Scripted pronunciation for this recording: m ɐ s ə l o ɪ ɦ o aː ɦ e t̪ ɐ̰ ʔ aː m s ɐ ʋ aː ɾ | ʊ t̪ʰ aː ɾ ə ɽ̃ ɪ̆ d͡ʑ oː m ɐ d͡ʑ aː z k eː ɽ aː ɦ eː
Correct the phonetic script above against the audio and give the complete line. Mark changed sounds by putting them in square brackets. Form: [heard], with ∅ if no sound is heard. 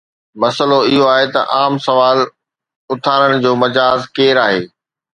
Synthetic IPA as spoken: m ɐ s ə l o ɪ ɦ o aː ɦ e t̪ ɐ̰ ʔ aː m s ɐ ʋ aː [l] | ʊ t̪ʰ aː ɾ ə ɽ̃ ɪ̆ d͡ʑ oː m ɐ d͡ʑ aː z k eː [ɾ] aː ɦ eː